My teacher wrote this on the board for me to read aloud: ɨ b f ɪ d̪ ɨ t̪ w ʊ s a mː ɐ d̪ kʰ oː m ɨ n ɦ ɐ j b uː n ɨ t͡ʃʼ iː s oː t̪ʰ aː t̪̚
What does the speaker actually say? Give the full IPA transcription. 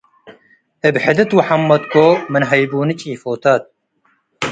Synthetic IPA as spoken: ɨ b ħ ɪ d̪ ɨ t̪ w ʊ ħ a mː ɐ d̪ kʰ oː m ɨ n ɦ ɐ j b uː n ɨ t͡ʃʼ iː f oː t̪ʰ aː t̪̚

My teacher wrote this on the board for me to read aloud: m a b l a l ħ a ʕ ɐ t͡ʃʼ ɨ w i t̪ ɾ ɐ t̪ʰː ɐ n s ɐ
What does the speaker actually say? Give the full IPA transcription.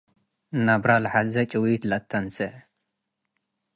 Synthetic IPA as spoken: n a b ɾ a l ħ a z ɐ t͡ʃʼ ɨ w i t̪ l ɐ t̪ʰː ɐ n s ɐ

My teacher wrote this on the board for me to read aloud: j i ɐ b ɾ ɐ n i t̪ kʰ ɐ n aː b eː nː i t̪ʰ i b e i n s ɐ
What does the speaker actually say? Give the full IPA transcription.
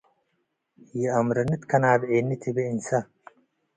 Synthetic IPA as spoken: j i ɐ m ɾ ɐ n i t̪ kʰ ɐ n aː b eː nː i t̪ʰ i b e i n s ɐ

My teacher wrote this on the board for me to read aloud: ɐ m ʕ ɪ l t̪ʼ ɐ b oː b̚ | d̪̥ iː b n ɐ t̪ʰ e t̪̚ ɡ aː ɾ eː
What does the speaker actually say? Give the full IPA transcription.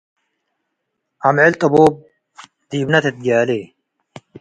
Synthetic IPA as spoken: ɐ m ʕ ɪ l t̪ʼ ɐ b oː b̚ | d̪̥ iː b n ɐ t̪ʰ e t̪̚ ɡ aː l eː

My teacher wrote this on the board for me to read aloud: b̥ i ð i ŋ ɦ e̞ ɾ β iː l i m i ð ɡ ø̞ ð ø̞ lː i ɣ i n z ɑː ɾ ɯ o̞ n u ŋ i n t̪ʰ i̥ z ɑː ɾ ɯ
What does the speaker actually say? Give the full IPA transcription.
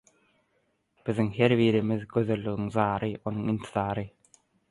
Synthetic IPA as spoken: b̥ i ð i ŋ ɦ e̞ ɾ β iː ɾ i m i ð ɡ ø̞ ð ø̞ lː y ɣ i ŋ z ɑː ɾ ɯ o̞ n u ŋ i n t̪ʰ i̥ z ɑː ɾ ɯ

